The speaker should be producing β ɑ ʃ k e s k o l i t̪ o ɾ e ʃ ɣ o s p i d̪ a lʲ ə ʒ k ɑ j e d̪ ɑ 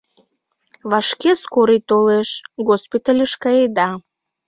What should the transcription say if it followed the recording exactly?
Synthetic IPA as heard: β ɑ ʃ k e s k o ɾ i t̪ o l e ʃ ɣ o s p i t̪ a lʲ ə ʃ k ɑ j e d̪ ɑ